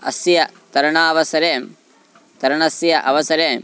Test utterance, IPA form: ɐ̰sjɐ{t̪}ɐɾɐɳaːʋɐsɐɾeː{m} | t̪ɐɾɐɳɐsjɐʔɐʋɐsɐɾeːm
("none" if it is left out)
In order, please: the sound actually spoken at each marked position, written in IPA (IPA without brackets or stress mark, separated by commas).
t̪, m